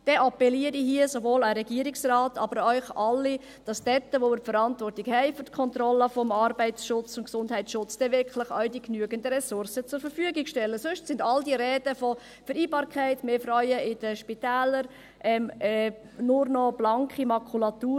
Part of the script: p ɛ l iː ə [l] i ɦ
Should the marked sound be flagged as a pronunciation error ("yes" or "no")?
yes